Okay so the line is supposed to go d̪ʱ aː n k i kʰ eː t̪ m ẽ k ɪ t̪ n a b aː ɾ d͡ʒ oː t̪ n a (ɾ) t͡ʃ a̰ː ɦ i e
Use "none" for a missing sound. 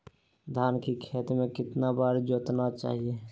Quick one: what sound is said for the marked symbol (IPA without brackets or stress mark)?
none